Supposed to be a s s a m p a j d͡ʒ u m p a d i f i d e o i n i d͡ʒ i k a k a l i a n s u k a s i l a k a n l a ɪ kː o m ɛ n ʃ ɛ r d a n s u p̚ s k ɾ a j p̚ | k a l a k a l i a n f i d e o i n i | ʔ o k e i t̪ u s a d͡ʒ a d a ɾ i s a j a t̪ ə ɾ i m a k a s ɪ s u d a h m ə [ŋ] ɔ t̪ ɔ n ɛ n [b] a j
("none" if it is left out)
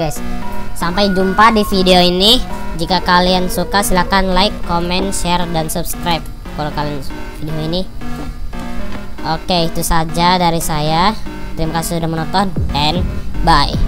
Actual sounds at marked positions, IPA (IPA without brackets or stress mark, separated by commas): n, b